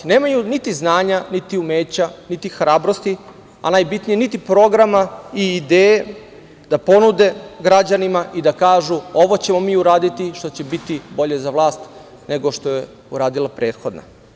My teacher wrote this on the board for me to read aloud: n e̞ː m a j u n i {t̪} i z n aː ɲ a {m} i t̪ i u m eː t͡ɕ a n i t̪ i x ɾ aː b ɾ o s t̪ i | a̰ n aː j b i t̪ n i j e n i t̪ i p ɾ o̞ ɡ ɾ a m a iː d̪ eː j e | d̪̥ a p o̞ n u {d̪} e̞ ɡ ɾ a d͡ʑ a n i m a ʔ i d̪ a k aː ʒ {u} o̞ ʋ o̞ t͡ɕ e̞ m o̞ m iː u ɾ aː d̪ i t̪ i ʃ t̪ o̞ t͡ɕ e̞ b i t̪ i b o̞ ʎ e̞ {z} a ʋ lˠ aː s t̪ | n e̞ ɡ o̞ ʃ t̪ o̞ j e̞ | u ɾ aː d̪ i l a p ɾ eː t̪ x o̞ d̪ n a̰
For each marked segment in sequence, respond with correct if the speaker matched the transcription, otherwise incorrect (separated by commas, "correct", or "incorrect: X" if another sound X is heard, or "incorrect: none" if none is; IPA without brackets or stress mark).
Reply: correct, incorrect: n, correct, correct, correct